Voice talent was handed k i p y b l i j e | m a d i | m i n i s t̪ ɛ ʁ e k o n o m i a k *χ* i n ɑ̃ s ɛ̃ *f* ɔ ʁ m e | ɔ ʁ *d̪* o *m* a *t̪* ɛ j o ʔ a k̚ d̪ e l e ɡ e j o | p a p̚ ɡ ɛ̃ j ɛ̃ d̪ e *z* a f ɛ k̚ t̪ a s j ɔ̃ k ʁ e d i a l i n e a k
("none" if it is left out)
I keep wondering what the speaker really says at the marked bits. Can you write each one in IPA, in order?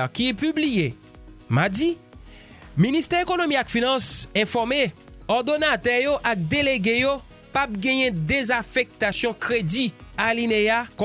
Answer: f, f, d̪, n, t̪, z

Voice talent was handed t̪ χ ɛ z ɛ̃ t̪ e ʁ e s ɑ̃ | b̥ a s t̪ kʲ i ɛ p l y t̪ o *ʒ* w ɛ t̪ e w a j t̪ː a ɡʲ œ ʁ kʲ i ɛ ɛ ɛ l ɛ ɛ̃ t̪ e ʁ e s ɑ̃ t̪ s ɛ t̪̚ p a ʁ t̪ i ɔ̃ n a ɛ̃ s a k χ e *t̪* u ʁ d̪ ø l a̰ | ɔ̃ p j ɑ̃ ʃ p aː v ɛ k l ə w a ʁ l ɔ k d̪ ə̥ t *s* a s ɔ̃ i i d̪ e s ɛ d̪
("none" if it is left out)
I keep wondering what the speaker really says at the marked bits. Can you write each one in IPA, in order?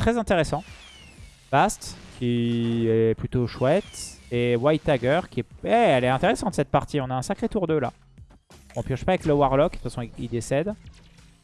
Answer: ʃ, t̪, f

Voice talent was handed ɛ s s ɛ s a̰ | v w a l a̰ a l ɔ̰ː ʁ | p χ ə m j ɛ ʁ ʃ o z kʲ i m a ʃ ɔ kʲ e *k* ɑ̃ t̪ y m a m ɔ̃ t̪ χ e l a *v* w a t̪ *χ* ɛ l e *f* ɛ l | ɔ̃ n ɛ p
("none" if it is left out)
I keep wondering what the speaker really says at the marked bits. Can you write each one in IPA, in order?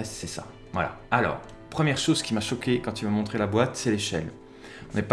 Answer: k, b, s, ʃ

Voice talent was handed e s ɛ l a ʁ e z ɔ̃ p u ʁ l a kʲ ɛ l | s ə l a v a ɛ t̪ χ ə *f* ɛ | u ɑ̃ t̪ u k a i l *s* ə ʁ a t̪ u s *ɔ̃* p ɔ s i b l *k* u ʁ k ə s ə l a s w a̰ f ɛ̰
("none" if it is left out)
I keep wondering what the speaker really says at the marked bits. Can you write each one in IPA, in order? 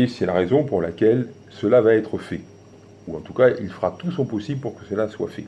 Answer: f, f, ɔ̃, p

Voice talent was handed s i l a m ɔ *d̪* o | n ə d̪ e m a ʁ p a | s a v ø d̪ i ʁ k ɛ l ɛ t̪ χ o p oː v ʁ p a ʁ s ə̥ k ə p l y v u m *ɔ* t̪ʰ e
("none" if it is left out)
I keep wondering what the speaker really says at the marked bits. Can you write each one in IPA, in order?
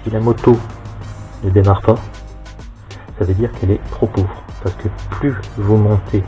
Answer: t̪, ɔ̃

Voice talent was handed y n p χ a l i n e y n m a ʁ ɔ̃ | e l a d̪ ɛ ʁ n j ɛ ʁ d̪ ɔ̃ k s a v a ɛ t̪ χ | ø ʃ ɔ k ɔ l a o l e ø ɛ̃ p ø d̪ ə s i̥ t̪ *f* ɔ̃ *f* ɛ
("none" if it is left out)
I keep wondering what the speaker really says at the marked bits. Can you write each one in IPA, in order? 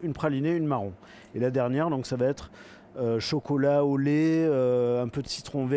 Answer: χ, v

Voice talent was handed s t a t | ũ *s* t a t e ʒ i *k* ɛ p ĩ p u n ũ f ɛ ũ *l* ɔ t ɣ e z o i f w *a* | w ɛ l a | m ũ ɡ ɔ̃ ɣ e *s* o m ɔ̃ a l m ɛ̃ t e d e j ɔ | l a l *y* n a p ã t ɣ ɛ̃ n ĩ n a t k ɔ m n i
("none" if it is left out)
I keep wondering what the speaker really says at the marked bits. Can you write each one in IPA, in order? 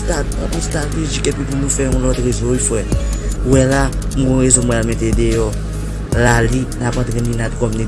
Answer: s, k, l, ɛ, z, i

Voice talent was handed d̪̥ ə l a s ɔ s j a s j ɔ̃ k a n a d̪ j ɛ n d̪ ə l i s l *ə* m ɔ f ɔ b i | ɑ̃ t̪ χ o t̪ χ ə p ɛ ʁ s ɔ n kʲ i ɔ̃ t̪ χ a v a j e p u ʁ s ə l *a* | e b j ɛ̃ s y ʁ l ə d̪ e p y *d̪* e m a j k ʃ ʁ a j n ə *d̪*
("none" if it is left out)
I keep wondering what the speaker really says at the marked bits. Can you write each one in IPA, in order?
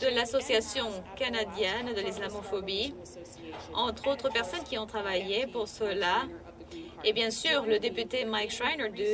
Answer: a, a, t̪, d̪

